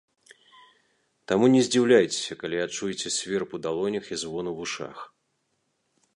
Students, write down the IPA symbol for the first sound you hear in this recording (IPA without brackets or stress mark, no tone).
t̪